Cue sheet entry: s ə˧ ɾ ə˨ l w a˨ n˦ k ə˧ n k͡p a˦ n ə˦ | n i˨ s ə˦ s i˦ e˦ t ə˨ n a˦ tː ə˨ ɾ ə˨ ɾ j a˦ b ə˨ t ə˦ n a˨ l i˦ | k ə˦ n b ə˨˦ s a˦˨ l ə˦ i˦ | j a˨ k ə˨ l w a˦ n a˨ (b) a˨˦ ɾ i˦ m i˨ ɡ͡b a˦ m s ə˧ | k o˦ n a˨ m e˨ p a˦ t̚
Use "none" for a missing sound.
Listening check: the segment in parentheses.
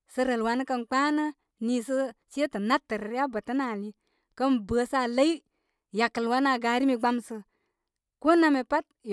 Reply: ɡ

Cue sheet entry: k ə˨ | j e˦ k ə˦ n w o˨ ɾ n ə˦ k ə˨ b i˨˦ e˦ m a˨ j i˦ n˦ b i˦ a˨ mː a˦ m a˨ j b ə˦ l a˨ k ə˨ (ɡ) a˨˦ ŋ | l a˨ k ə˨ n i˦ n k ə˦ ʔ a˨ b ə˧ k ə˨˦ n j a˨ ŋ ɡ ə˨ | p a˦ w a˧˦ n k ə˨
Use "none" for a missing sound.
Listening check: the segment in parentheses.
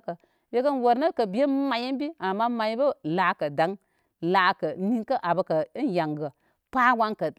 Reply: d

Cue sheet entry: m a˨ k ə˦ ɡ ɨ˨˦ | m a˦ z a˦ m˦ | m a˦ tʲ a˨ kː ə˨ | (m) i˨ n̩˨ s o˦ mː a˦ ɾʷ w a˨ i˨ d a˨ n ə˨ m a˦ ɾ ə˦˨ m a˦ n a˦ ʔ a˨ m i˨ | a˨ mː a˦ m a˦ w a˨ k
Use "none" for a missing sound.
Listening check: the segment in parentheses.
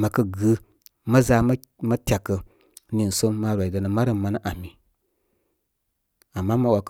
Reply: n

